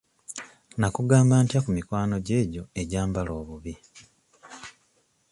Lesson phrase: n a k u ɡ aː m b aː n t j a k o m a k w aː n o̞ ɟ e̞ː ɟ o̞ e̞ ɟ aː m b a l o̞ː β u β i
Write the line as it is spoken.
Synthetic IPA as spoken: n a k u ɡ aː m b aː n t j a k u m i k w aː n o̞ ɟ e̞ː ɟ o̞ e̞ ɟ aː m b a l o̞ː β u β i